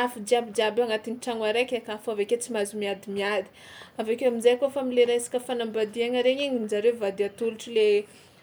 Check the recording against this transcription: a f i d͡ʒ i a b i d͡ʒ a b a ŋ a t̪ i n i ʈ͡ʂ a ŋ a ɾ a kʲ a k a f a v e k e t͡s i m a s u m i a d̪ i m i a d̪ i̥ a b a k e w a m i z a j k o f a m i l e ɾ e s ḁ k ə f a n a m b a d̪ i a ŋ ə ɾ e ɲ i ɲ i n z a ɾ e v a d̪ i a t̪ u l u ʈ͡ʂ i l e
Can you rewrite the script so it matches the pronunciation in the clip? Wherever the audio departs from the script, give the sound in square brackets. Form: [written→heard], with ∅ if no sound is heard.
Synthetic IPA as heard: a f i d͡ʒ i a b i d͡ʒ a b a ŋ a t̪ i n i ʈ͡ʂ a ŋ a ɾ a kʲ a k a f a v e k e t͡s i m a [s→z] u m i a d̪ i m i a d̪ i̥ a [b→v] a k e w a m i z a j k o f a m i l e ɾ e s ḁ k ə f a n a m b a d̪ i a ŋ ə ɾ e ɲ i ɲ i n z a ɾ e v a d̪ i a t̪ u l u ʈ͡ʂ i l e